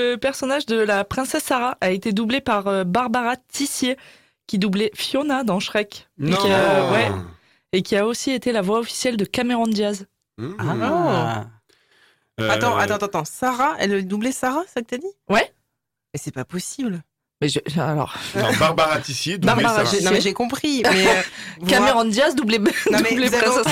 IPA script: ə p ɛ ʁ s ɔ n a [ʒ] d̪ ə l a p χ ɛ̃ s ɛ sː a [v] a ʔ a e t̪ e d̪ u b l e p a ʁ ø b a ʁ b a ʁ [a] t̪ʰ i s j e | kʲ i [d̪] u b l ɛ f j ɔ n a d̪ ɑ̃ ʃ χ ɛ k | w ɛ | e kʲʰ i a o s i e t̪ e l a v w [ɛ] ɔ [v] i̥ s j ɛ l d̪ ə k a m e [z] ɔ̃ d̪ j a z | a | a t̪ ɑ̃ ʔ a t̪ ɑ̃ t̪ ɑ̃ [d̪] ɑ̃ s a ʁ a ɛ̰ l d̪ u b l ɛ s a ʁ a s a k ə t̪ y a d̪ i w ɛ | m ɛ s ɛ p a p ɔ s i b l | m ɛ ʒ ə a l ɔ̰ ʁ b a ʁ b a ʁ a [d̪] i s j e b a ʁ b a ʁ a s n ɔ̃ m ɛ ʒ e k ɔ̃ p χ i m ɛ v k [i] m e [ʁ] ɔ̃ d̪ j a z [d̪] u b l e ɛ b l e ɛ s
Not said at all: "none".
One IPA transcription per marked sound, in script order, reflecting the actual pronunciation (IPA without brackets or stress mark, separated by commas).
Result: ʒ, ʁ, a, d̪, a, f, ʁ, t̪, t̪, a, ʁ, d̪